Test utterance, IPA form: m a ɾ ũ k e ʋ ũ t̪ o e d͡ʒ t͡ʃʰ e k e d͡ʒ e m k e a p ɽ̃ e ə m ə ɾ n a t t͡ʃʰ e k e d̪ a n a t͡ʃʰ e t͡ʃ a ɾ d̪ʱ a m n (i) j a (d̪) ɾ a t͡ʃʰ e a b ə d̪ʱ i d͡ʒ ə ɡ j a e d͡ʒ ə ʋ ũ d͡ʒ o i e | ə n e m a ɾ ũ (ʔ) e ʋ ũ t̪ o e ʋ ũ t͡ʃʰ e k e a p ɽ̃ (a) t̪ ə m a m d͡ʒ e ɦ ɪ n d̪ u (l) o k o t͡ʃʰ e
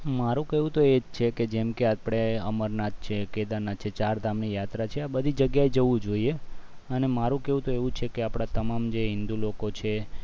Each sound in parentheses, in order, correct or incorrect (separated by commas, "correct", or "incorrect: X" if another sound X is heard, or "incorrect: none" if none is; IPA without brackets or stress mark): correct, incorrect: t̪, incorrect: k, correct, correct